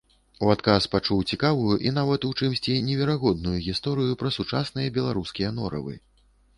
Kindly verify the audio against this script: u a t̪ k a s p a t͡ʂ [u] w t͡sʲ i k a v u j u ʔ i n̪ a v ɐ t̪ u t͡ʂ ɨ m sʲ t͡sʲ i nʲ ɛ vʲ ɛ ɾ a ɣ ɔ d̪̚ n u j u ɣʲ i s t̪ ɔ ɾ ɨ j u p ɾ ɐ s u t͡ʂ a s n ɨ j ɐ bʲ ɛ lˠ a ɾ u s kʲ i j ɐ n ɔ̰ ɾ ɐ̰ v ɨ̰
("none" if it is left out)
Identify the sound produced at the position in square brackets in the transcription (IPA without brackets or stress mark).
u